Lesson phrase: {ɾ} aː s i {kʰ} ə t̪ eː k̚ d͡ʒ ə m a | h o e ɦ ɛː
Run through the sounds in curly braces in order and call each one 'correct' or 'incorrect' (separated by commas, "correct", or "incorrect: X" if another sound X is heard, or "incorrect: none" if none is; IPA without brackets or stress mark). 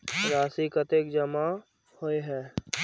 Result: correct, incorrect: k